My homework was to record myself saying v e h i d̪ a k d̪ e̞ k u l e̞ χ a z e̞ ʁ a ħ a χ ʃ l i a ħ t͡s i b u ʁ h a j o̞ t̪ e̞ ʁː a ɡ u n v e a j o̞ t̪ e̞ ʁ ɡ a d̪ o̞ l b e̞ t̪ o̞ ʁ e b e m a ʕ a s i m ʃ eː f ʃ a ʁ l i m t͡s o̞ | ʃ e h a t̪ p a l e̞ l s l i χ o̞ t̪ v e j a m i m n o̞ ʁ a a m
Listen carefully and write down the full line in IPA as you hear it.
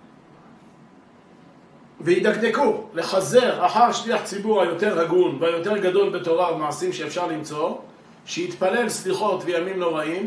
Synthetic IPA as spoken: v e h i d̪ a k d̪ e̞ k u l e̞ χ a z e̞ ʁ a ħ a ʁ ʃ l i a ħ t͡s i b u ʁ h a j o̞ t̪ e̞ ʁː a ɡ u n v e a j o̞ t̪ e̞ ʁ ɡ a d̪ o̞ l b e̞ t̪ o̞ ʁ a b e m a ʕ a s i m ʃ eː f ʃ a ʁ l i m t͡s o̞ | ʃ e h i t̪ p a l e̞ l s l i χ o̞ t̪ v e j a m i m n o̞ ʁ a i m